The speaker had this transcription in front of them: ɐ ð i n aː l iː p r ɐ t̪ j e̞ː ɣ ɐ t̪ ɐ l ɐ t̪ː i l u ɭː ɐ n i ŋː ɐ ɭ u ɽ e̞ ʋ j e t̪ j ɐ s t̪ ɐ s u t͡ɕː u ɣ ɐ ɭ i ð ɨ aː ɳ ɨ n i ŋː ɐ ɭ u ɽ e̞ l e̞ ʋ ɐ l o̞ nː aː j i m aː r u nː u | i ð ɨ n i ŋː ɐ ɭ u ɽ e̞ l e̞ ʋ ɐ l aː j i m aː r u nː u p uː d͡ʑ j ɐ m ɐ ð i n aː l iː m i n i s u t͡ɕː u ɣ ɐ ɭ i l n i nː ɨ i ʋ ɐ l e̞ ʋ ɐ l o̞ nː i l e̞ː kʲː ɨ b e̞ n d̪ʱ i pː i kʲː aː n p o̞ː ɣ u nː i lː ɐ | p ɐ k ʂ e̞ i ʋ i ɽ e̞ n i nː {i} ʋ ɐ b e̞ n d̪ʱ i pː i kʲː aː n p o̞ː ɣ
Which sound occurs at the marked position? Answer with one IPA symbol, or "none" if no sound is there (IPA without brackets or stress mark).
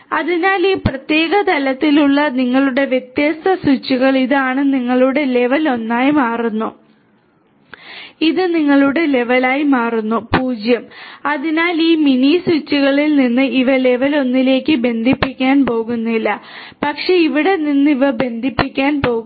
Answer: i